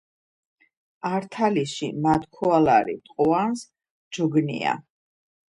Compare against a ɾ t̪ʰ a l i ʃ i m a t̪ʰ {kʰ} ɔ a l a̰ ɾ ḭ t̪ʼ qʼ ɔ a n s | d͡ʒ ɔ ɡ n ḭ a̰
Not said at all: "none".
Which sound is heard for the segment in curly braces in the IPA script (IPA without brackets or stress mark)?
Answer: kʰ